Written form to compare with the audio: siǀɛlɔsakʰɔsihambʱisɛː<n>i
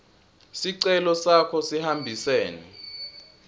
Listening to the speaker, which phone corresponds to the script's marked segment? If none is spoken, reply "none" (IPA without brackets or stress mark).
n